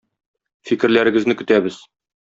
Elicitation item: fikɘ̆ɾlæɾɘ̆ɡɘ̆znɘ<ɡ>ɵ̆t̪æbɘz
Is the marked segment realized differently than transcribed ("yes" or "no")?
yes